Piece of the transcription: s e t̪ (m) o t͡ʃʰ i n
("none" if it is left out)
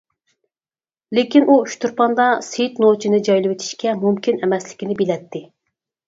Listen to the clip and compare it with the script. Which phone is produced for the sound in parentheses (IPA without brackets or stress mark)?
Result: n